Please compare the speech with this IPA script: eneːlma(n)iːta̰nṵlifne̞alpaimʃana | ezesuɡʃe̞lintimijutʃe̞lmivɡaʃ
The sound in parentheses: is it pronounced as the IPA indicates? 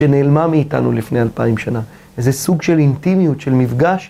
no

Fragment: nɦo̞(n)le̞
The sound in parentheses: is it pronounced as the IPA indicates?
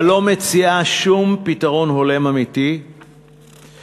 no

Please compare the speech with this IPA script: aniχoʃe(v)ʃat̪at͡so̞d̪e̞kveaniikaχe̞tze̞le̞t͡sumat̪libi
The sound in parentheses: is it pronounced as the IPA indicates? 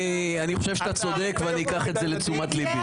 yes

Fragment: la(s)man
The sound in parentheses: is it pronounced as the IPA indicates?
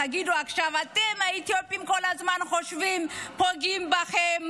no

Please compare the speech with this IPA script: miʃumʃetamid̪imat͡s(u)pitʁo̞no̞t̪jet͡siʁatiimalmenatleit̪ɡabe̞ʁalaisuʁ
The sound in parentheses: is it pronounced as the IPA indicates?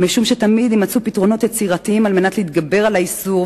yes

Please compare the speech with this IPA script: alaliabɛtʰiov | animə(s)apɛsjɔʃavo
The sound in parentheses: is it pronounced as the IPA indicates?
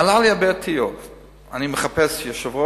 no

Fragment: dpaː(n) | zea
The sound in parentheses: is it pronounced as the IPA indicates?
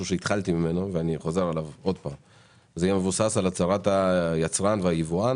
no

